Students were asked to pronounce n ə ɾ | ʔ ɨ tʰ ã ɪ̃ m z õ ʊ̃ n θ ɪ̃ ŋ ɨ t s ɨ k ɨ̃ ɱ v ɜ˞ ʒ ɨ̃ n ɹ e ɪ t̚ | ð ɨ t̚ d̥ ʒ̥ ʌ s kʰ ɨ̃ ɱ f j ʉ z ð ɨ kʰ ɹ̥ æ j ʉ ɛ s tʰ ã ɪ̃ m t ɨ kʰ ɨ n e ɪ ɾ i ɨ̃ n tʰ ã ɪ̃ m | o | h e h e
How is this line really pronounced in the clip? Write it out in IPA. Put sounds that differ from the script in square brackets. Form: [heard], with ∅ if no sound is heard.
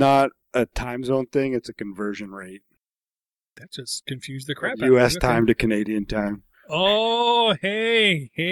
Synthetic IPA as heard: n ə ɾ | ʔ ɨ tʰ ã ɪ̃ m z õ ʊ̃ n θ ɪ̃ ŋ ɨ t s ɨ k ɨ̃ ɱ v ɜ˞ ʒ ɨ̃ n ɹ e ɪ t̚ | ð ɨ t̚ d̥ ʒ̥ ʌ s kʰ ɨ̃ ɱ f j ʉ z ð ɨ kʰ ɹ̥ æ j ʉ ɛ s tʰ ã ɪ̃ m t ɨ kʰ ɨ n e ɪ ɾ i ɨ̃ n tʰ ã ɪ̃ m | o | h e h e